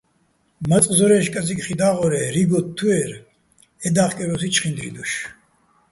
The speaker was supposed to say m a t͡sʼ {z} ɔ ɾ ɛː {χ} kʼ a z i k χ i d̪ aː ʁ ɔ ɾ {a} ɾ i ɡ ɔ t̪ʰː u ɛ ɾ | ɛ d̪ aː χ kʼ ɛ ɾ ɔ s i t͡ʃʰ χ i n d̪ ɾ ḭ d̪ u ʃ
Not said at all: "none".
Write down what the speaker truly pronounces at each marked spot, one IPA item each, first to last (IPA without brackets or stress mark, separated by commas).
z, ʃ, ɛ